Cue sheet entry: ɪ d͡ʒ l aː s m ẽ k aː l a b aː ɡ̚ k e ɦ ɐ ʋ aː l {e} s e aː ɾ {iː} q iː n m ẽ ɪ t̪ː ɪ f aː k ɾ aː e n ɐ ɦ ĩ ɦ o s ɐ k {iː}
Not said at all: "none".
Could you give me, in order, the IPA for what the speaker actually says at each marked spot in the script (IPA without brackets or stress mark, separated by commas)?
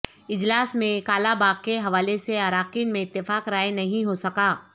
e, aː, aː